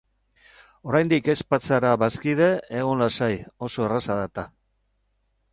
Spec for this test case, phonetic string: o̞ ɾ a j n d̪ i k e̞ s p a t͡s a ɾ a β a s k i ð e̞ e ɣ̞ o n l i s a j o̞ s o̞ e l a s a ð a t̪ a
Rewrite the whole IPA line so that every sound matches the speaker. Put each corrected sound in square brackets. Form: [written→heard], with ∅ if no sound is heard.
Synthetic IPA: o̞ ɾ a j n d̪ i k e̞ s p a t͡s a ɾ a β a s k i ð e̞ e ɣ̞ o n l [i→a] s a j o̞ s o̞ e [l→r] a s a ð a t̪ a